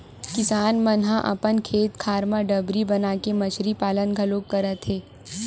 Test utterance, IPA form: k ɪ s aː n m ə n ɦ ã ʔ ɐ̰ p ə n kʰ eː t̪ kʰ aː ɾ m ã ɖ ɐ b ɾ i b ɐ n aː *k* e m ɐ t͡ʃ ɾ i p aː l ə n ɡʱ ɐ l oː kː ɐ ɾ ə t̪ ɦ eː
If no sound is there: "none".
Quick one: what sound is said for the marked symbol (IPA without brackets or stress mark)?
k